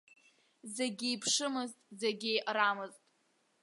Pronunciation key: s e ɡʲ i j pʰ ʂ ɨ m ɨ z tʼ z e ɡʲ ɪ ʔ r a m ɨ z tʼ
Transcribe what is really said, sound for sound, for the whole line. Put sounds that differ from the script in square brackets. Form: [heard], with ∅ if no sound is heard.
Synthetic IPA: [z] e ɡʲ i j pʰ ʂ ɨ m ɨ z tʼ z e ɡʲ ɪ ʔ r a m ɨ z tʼ